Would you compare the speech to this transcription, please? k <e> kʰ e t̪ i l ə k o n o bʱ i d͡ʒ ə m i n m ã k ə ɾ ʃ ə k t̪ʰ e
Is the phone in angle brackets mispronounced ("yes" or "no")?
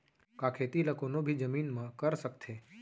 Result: yes